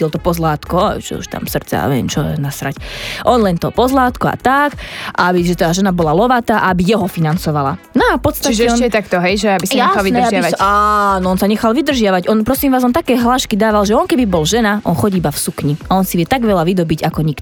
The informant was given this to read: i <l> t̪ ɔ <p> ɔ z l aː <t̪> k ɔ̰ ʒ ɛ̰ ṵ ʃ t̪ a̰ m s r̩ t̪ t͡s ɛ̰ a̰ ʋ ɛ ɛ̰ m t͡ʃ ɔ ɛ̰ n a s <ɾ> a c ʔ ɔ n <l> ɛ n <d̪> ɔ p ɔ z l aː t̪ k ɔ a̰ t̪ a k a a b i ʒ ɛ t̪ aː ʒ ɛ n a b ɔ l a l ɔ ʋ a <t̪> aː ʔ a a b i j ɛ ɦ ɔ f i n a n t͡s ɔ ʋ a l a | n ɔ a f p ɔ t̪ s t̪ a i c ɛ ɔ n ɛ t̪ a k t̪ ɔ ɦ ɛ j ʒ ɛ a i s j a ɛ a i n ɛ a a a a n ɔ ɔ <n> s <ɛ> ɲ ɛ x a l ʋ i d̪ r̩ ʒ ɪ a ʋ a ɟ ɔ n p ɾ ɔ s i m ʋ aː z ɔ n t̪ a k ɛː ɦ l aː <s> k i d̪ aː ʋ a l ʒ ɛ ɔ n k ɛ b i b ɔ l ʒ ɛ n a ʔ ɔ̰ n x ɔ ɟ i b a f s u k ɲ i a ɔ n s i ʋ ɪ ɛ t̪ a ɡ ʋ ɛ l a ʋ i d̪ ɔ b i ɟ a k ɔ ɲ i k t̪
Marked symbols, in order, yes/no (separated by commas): yes, yes, yes, yes, yes, no, yes, yes, no, no